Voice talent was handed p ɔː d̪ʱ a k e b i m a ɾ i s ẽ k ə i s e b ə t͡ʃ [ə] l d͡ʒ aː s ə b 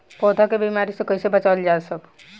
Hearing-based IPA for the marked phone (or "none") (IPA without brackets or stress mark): a